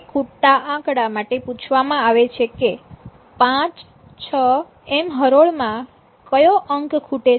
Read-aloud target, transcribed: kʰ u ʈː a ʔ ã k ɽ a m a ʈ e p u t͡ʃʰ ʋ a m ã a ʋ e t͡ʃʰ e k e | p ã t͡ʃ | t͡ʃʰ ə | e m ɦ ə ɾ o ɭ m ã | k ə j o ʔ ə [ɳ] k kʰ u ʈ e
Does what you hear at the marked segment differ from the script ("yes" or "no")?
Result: yes